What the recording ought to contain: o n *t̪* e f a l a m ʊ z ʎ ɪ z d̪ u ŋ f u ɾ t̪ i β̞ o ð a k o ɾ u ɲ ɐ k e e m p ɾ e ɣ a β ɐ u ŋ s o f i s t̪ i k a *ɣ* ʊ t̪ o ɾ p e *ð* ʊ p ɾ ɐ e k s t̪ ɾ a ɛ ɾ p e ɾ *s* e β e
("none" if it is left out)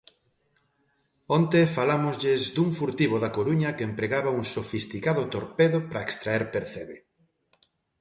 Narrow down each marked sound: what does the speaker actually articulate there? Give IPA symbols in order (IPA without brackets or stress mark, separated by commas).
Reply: t̪, ð, ð, θ